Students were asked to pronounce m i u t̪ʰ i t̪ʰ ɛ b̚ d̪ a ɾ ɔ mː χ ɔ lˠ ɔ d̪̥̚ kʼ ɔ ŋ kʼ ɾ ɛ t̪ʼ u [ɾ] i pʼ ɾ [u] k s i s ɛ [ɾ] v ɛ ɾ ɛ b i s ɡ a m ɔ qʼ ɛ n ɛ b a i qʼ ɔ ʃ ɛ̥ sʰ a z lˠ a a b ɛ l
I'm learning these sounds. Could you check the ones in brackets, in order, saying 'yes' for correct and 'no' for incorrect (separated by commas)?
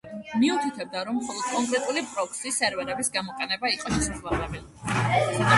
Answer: no, no, yes